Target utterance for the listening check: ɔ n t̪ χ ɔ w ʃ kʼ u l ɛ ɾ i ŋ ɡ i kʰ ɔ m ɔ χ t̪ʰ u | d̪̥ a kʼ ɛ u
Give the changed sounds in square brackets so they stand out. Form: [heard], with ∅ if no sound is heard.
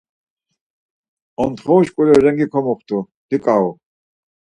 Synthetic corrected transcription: ɔ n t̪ χ ɔ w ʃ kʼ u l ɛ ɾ [ɛ] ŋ ɡ i kʰ ɔ m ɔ χ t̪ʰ u | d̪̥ [i] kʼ [a] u